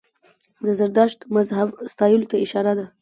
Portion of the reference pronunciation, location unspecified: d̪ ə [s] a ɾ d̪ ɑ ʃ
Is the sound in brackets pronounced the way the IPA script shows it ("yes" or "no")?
no